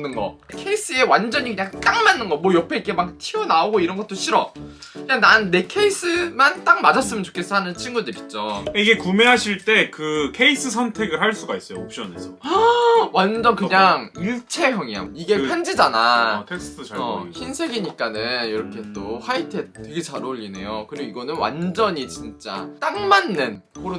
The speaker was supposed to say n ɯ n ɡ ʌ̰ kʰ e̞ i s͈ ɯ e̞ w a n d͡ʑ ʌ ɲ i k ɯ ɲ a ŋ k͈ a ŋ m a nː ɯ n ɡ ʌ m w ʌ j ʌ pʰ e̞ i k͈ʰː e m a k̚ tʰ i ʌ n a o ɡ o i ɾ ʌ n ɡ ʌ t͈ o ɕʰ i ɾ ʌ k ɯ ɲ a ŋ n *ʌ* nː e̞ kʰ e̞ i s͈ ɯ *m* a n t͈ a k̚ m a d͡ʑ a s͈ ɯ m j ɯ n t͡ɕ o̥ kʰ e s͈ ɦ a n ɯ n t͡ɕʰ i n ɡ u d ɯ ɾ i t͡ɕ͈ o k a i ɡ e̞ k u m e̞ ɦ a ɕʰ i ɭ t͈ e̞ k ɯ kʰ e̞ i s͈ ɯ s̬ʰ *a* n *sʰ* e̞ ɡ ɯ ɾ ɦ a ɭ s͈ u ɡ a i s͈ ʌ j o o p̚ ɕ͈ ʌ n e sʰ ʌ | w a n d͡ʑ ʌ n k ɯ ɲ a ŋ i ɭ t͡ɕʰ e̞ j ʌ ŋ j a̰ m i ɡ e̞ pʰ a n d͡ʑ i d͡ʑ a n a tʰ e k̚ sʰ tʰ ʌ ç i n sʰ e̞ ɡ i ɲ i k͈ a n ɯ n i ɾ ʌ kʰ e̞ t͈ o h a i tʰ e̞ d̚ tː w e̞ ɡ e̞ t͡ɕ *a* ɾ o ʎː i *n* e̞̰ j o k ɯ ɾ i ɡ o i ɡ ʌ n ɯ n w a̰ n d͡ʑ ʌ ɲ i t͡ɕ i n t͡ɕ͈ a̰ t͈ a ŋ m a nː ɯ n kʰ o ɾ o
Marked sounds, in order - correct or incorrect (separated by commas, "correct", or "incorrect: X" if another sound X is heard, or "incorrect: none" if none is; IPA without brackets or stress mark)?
incorrect: a, correct, incorrect: ʌ, incorrect: tʰ, correct, correct